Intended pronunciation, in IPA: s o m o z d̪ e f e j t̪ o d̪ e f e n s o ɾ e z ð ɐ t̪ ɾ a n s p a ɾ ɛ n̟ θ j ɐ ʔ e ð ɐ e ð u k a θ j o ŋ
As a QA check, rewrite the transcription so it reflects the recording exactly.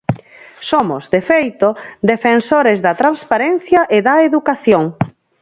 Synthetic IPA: s o m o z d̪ e f e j t̪ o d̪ e f e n s o ɾ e z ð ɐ t̪ ɾ a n s p a ɾ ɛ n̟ θ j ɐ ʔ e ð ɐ e ð u k a θ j o ŋ

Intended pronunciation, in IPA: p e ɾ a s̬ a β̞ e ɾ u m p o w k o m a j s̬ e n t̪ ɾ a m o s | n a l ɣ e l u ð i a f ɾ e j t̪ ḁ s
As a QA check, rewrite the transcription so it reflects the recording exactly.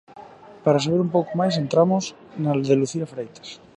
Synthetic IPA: p a ɾ a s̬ a β̞ e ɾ u m p o w k o m a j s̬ e n t̪ ɾ a m o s | n a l ð e l u θ i a f ɾ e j t̪ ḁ s

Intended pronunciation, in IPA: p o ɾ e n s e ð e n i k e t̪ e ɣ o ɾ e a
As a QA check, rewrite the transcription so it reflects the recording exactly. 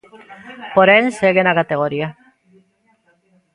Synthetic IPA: p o ɾ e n s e ɣ e n a k a t̪ e ɣ o ɾ i a

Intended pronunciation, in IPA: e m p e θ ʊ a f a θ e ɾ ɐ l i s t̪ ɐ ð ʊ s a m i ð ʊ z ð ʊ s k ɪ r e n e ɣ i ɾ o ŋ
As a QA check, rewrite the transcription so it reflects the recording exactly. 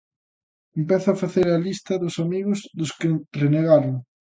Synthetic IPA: e m p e θ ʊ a f a θ e ɾ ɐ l i s t̪ ɐ ð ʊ s a m i ɣ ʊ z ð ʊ s k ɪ r e n e ɣ a ɾ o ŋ

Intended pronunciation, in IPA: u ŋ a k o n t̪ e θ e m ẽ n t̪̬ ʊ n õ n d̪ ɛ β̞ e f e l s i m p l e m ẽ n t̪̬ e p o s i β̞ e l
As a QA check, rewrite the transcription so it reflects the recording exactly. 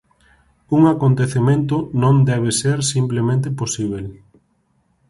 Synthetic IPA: u ŋ a k o n t̪ e θ e m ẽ n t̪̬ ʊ n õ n d̪ ɛ β̞ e s e ɾ s i m p l e m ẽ n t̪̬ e p o s i β̞ e l

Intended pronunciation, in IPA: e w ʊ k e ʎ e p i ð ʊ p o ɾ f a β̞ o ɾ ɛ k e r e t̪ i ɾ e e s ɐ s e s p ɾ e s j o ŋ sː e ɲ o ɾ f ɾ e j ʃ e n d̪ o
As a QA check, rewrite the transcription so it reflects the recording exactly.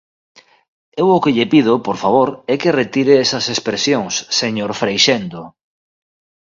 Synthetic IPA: e w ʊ k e ʎ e p i ð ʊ p o ɾ f a β̞ o ɾ ɛ k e r e t̪ i ɾ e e s ɐ s e s p ɾ e s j o ŋ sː e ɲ o ɾ f ɾ e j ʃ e n d̪ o

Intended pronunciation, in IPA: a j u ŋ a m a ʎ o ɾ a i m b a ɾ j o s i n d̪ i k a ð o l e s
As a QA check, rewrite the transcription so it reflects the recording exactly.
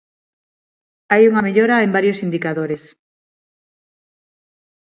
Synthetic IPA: a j u ŋ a m e ʎ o ɾ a e m b a ɾ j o s i n d̪ i k a ð o ɾ e s

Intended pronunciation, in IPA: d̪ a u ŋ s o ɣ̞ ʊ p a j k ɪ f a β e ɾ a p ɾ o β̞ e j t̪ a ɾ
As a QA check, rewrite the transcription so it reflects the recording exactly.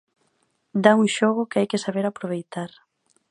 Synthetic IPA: d̪ a u ŋ ʃ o ɣ̞ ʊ k a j k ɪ s a β e ɾ a p ɾ o β̞ e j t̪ a ɾ

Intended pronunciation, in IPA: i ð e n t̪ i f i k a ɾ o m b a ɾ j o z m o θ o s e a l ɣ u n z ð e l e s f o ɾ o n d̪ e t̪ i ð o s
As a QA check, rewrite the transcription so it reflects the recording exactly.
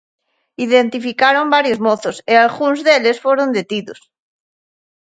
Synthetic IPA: i ð e n t̪ i f i k a ɾ o m b a ɾ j o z m o θ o s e a l ɣ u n z ð e l e s f o ɾ o n d̪ e t̪ i ð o s

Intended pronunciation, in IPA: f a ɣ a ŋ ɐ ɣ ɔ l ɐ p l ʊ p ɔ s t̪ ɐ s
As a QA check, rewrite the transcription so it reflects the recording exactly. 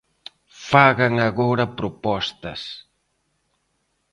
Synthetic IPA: f a ɣ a ŋ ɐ ɣ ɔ ɾ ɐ p ɾ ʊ p ɔ s t̪ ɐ s

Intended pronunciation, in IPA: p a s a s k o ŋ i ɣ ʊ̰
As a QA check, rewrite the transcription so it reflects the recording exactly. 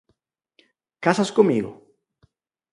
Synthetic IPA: k a s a s k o m i ɣ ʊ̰

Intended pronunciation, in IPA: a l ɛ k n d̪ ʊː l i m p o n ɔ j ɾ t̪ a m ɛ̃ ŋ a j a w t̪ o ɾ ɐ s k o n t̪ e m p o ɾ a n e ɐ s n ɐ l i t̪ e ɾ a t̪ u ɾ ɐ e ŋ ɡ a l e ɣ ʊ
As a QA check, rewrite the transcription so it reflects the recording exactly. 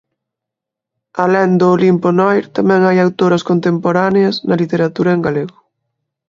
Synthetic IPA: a l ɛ n d̪ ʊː l i m p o n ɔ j ɾ t̪ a m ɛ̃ ŋ a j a w t̪ o ɾ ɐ s k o n t̪ e m p o ɾ a n e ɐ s n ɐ l i t̪ e ɾ a t̪ u ɾ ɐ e ŋ ɡ a l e ɣ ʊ

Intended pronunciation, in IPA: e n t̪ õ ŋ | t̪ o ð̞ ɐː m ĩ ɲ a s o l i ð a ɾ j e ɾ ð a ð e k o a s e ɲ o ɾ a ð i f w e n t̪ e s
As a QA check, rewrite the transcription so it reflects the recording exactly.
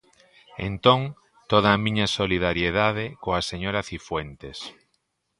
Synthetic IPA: e n t̪ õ ŋ | t̪ o ð̞ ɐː m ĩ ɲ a s o l i ð a ɾ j e ð a ð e k o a s e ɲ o ɾ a θ i f w e n t̪ e s

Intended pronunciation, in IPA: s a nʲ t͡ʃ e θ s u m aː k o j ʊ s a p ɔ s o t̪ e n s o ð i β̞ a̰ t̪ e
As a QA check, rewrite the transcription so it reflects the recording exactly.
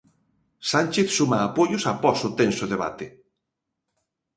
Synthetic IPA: s a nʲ t͡ʃ e θ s u m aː p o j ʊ s a p ɔ s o t̪ e n s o ð e β̞ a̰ t̪ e

